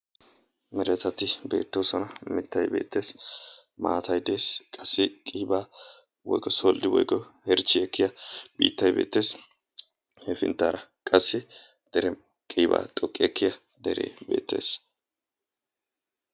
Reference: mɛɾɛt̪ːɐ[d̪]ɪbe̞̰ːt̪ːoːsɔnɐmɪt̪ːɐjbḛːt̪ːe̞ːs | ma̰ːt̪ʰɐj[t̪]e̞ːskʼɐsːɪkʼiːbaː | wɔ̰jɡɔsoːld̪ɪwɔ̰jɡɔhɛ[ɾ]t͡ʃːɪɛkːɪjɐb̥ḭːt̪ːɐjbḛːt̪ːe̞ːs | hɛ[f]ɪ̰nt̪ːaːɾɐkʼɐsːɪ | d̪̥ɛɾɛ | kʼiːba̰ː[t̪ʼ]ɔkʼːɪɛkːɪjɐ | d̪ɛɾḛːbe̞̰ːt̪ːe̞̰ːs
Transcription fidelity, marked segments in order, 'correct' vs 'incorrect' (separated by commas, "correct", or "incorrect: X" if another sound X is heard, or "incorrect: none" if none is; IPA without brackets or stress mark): incorrect: t̪, incorrect: d̪, correct, correct, correct